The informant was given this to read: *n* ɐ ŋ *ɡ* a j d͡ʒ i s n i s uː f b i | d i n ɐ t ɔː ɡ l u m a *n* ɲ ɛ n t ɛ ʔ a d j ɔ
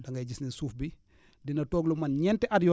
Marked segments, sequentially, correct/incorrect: incorrect, correct, correct

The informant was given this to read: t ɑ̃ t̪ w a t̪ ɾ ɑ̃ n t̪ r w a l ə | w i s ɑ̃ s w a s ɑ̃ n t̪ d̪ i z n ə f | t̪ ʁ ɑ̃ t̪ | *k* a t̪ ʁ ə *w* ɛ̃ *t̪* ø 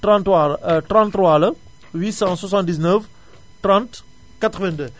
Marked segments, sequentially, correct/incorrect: correct, incorrect, incorrect

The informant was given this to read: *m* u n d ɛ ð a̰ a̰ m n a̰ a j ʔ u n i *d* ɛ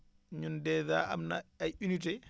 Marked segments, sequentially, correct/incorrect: incorrect, incorrect

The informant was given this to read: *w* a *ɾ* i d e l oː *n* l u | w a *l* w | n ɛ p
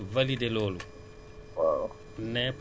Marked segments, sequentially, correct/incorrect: incorrect, incorrect, incorrect, incorrect

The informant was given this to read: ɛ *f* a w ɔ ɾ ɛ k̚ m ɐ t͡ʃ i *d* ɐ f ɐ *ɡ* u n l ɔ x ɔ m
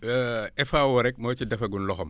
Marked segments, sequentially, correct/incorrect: correct, correct, correct

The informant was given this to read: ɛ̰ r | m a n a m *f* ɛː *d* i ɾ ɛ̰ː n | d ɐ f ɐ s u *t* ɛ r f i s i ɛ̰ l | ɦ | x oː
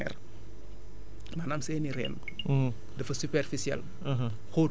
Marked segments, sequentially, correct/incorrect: incorrect, incorrect, incorrect

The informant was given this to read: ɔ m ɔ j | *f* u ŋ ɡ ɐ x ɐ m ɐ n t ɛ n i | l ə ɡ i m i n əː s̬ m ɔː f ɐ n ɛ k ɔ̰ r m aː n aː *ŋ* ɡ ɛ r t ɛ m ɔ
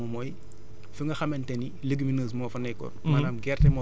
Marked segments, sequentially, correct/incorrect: correct, incorrect

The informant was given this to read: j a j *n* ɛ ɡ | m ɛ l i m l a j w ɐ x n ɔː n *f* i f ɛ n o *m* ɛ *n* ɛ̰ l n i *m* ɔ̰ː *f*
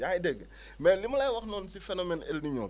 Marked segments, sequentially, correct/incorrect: incorrect, incorrect, correct, correct, incorrect, incorrect

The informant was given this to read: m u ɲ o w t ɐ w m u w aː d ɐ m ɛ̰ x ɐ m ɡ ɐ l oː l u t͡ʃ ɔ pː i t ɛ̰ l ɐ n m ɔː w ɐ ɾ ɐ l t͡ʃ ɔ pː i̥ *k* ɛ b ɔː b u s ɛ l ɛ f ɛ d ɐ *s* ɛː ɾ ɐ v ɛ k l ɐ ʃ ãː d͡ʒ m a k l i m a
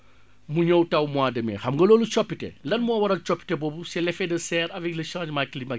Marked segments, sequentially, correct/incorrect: incorrect, correct

